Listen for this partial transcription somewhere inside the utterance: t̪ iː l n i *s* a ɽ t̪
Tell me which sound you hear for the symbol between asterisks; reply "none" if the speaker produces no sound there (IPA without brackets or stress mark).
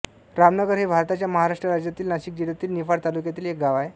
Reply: f